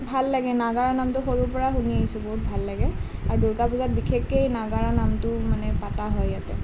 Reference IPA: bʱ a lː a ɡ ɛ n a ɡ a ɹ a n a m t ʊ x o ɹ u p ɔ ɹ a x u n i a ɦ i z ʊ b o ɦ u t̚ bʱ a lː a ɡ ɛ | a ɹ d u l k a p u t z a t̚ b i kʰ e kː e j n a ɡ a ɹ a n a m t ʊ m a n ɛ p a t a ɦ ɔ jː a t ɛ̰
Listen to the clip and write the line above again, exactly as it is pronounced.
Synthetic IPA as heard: bʱ a lː a ɡ ɛ n a ɡ a ɹ a n a m t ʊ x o ɹ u p ɔ ɹ a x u n i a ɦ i s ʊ b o ɦ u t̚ bʱ a lː a ɡ ɛ | a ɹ d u ɹ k a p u z a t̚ b i kʰ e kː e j n a ɡ a ɹ a n a m t ʊ m a n ɛ p a t a ɦ ɔ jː a t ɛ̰